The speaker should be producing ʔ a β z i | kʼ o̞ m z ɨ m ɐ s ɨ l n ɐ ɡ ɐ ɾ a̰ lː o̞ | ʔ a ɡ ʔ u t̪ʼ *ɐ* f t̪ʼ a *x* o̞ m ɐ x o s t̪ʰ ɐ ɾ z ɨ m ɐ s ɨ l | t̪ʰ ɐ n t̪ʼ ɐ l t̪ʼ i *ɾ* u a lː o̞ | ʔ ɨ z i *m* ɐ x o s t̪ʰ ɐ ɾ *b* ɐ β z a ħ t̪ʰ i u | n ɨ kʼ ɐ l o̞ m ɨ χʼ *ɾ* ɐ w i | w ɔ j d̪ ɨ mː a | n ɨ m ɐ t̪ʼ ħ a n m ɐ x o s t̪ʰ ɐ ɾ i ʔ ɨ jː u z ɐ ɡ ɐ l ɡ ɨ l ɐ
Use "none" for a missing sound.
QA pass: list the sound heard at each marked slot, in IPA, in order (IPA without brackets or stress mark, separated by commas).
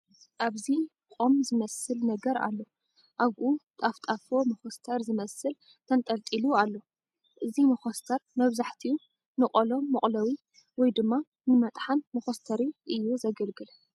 a, f, l, m, m, l